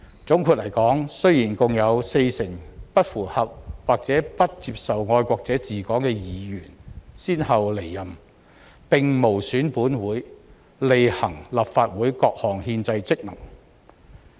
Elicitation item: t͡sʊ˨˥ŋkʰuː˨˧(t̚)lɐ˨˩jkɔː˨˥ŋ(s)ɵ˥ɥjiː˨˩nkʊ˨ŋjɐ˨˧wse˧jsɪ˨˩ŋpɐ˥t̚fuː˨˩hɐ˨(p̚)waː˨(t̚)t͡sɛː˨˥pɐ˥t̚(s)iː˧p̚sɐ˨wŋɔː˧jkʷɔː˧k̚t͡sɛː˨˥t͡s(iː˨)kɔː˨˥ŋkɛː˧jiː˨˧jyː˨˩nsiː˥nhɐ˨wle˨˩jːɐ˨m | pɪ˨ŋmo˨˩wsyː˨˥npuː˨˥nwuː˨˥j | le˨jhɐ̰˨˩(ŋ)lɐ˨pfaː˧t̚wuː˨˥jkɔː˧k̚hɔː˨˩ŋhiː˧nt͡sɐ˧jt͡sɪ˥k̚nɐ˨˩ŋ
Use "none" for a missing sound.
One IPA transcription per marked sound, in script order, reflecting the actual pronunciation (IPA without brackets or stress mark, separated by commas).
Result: t̚, s, p̚, k̚, t͡s, iː˨, ŋ